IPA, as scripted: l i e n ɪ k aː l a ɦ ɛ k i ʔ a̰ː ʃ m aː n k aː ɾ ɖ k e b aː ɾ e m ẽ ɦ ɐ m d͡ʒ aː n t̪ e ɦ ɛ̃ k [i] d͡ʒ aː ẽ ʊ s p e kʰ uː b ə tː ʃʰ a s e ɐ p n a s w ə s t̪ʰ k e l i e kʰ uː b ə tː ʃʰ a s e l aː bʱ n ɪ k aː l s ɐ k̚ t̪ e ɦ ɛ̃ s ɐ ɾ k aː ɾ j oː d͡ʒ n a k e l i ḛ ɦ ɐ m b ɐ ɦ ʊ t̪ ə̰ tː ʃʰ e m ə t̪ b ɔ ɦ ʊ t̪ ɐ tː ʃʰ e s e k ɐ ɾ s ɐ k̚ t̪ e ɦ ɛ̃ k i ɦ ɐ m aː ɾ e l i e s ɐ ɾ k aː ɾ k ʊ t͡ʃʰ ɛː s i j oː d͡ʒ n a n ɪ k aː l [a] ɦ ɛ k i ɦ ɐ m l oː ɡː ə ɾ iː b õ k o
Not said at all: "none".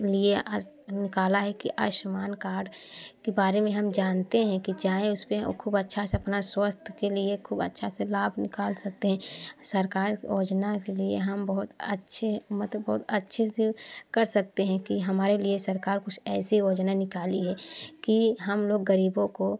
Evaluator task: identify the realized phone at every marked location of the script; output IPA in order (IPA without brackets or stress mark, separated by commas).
i, i